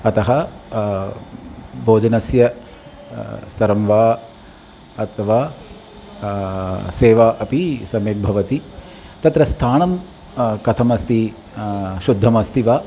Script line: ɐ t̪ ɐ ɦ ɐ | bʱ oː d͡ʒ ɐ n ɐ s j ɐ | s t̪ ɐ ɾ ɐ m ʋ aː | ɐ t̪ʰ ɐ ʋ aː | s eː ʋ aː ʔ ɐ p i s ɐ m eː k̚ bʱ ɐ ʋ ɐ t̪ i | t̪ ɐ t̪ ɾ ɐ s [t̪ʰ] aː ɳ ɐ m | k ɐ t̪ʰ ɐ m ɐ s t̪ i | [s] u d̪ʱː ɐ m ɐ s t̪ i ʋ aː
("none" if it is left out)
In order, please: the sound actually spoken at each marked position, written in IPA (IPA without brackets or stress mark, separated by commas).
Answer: t̪ʰ, ʃ